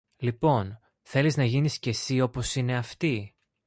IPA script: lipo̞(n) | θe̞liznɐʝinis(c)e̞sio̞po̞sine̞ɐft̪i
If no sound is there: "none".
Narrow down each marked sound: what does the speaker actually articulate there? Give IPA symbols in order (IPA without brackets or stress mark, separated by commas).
n, c